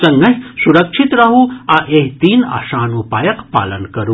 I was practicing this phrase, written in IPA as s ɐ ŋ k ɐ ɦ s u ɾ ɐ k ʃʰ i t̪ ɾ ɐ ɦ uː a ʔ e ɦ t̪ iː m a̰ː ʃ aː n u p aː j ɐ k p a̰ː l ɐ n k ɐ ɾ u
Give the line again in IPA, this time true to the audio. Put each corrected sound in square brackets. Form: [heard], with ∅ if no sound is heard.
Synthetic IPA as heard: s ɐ ŋ [ɡ] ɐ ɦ s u ɾ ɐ k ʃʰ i t̪ ɾ ɐ ɦ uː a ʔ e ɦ t̪ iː [n] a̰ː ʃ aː n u p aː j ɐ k p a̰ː l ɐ n k ɐ ɾ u